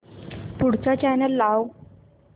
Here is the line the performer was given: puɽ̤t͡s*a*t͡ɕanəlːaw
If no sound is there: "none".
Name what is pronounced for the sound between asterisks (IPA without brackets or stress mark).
a